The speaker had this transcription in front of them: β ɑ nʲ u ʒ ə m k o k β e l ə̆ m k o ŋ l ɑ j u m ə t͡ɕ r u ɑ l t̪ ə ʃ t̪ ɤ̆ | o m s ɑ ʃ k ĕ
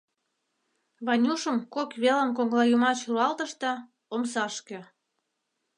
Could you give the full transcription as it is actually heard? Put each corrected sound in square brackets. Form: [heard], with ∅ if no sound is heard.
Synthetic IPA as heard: β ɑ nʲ u [ʃ] ə m k o k β e l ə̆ m k o ŋ l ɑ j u m [ɑ] t͡ɕ r u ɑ l t̪ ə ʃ t̪ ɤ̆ | o m s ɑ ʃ k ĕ